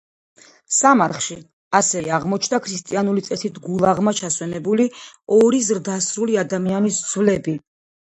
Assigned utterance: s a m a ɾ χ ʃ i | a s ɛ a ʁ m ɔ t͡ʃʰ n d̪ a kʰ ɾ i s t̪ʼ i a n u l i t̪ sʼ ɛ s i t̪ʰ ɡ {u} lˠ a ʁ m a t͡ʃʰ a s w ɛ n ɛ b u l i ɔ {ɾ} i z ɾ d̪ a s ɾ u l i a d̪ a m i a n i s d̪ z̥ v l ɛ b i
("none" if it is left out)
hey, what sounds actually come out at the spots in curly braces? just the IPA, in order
u, ɾ

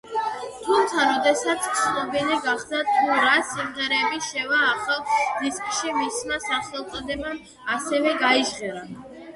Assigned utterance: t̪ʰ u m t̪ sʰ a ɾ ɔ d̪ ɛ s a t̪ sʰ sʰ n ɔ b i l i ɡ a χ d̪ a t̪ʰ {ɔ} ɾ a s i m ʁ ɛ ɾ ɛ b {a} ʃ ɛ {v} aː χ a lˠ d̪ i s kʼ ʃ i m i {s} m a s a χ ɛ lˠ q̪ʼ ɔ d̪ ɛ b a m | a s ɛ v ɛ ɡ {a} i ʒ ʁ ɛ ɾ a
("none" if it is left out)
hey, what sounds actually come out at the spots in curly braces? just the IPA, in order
u, i, v, s, a

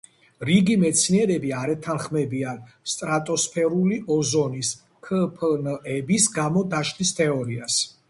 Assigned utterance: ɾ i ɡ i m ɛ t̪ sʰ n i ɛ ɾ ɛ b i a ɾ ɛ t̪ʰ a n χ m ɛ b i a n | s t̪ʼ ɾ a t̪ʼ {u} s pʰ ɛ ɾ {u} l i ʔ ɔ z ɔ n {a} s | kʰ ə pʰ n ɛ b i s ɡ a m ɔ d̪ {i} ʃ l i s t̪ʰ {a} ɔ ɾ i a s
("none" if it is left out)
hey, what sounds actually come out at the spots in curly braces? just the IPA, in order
ɔ, u, i, a, ɛ

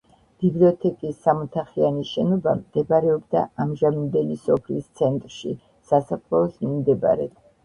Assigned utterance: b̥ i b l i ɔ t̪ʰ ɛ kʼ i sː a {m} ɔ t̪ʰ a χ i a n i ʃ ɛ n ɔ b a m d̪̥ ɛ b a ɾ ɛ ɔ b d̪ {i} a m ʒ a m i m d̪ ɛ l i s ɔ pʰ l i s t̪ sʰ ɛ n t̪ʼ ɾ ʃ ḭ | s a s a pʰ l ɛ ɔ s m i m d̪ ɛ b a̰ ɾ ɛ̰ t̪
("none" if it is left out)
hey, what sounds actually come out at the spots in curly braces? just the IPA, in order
m, a

